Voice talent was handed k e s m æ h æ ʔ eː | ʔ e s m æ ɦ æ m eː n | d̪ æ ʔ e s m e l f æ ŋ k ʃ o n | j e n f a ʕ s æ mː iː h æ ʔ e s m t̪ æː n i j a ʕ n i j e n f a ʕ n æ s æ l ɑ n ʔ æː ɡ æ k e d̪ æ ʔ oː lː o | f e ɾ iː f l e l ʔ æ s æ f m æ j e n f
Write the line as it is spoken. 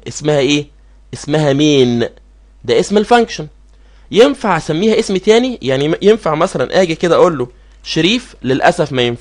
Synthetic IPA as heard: ʔ e s m æ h æ ʔ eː | ʔ e s m æ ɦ æ m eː n | d̪ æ ʔ e s m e l f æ ŋ k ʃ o n | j e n f a ʕ s æ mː iː h æ ʔ e s m t̪ æː n i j a ʕ n i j e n f a ʕ m æ s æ l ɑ n ʔ æː ɡ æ k e d̪ æ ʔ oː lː o | ʃ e ɾ iː f l e l ʔ æ s æ f m æ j e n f